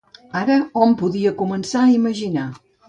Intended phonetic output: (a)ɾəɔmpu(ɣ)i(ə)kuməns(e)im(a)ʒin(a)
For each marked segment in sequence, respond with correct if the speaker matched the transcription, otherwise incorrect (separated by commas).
correct, incorrect, correct, incorrect, incorrect, correct